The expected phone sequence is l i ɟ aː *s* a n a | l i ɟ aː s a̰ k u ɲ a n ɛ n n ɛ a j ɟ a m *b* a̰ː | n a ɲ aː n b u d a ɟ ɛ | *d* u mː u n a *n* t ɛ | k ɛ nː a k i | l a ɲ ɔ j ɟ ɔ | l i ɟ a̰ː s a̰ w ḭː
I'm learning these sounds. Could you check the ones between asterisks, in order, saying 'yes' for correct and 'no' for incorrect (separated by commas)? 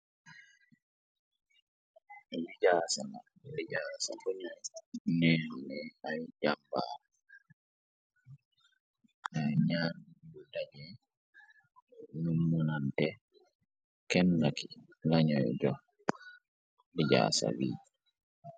yes, yes, no, yes